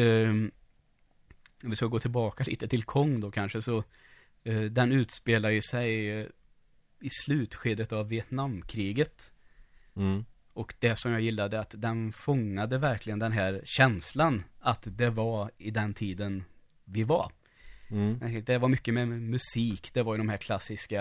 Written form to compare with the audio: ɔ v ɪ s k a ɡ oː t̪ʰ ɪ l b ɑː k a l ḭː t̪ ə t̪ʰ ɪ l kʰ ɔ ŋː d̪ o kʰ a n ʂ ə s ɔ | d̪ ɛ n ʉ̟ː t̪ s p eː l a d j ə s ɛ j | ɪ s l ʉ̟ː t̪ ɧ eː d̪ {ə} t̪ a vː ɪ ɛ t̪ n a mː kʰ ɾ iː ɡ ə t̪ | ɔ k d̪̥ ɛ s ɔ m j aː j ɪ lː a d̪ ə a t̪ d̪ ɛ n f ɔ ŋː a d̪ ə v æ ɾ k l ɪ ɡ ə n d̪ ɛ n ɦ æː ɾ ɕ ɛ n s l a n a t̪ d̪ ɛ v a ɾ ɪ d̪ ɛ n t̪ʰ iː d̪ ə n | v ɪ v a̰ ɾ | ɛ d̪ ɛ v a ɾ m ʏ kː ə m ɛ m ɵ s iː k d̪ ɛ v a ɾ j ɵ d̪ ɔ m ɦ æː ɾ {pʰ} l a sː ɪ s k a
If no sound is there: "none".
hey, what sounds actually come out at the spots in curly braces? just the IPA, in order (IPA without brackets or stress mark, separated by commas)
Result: ə, kʰ